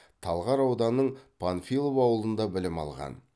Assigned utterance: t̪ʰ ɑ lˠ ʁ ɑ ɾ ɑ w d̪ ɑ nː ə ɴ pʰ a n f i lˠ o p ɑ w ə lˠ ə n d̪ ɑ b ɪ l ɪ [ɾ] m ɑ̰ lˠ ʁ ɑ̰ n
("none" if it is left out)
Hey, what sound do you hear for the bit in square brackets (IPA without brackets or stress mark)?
none